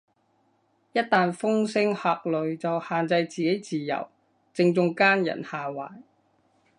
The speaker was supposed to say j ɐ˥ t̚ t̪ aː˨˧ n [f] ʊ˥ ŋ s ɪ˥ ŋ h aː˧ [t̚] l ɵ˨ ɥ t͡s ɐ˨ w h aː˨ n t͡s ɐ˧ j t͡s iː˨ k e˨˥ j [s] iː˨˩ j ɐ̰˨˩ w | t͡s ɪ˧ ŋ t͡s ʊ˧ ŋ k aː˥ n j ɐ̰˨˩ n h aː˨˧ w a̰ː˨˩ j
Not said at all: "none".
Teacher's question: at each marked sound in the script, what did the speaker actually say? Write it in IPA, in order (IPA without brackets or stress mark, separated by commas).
f, k̚, t͡s